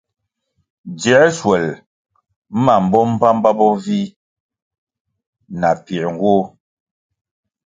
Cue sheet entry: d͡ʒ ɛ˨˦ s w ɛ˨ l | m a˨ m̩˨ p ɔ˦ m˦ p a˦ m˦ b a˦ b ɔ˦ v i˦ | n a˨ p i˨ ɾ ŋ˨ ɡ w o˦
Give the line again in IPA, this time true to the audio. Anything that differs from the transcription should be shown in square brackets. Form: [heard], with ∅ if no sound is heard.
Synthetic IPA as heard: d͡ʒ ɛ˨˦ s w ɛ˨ l | m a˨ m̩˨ [b] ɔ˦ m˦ p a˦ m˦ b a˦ b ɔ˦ v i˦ | n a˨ p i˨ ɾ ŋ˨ ɡ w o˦